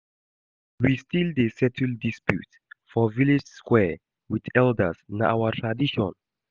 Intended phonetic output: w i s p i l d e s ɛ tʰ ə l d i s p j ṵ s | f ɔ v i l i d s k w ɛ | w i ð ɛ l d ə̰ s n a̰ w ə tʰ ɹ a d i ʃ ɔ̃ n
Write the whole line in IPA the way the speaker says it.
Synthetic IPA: w i s t i l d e s ɛ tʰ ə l d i s p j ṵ t | f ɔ v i l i d͡ʒ s k w ɛ | w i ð ɛ l d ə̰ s n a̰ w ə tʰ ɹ a d i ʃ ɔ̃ n